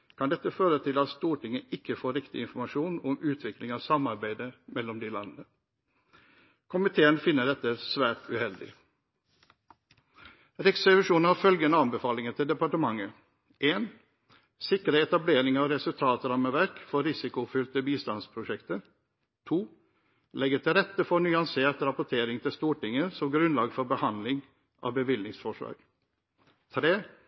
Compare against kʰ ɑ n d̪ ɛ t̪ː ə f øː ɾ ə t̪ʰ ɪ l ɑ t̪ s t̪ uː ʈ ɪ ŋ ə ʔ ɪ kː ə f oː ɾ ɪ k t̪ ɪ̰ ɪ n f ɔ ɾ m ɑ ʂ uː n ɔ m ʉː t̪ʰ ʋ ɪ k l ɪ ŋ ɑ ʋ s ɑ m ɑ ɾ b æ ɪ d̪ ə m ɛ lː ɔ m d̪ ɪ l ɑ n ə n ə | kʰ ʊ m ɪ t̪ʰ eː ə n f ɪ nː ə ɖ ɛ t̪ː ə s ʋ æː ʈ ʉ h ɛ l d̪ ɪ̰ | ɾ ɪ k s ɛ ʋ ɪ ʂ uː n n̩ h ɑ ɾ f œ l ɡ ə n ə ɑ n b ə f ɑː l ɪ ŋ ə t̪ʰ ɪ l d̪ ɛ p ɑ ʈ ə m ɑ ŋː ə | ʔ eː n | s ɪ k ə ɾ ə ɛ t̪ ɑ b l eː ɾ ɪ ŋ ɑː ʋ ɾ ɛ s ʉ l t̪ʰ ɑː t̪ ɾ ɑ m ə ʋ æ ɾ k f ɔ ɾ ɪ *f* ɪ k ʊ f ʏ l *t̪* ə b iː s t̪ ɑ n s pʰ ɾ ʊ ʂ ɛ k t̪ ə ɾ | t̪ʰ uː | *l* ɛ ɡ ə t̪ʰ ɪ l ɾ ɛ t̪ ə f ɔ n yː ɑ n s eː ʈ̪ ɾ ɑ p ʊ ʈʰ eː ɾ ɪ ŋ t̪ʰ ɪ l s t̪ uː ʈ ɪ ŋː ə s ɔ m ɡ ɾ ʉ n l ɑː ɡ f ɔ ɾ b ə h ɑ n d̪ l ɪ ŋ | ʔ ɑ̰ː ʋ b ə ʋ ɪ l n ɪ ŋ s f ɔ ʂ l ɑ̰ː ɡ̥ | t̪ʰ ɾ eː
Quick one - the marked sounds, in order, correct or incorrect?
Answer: incorrect, correct, correct

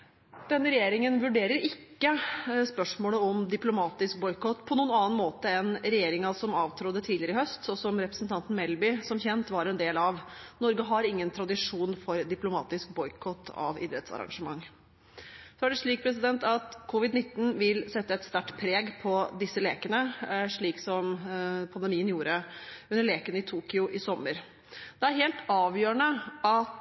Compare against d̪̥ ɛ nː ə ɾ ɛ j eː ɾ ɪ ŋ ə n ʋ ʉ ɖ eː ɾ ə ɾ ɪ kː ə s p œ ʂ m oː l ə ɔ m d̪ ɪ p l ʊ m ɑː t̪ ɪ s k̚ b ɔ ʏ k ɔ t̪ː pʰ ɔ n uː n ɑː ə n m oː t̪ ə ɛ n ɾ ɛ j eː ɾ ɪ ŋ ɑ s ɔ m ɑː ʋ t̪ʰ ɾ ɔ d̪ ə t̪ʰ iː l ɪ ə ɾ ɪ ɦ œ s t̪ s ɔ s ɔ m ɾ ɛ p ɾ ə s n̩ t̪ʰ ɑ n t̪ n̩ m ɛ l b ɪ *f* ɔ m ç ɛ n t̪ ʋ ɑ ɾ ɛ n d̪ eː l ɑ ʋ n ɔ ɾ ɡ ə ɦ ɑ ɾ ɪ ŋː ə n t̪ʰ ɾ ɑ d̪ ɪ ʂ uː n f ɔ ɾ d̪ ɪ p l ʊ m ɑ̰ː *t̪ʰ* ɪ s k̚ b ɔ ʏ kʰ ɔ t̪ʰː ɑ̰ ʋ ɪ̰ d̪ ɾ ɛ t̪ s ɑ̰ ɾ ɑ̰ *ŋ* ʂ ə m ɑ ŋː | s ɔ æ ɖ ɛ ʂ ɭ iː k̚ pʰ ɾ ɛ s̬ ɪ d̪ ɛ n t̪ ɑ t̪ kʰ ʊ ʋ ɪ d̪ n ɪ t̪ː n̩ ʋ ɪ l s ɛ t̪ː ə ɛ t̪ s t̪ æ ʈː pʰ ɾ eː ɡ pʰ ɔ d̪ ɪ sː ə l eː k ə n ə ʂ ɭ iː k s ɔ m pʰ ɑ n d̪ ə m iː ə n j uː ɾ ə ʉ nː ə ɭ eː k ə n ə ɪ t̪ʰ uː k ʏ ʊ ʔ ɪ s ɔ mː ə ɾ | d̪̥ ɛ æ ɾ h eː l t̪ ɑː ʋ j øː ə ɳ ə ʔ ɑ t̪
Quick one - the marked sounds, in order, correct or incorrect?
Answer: incorrect, incorrect, correct

